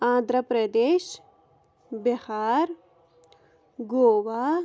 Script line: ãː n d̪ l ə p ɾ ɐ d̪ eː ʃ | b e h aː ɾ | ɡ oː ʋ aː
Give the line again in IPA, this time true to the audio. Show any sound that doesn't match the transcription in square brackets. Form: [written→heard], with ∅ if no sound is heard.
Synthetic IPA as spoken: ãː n d̪ [l→ɾ] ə p ɾ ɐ d̪ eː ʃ | b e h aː ɾ | ɡ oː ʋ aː